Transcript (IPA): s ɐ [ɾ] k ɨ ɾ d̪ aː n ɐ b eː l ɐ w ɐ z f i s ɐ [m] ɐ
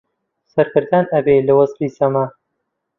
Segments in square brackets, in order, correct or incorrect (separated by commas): correct, correct